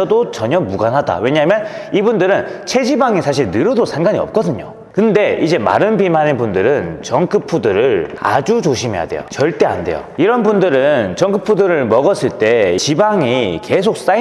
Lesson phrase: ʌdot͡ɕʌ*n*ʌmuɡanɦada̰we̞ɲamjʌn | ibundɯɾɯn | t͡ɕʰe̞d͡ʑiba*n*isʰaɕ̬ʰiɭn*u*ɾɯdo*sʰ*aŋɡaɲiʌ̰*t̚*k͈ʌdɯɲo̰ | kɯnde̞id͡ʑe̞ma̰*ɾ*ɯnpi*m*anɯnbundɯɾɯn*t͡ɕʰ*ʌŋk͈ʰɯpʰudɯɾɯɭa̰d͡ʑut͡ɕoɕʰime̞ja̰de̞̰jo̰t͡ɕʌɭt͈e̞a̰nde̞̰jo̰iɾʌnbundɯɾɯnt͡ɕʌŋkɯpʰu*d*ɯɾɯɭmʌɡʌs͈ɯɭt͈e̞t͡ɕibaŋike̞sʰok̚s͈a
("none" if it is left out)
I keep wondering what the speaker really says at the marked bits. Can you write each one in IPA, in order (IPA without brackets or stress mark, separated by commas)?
ɲ, ŋ, ɯ, sʰ, p̚, ɾ, m, t͡ɕ, d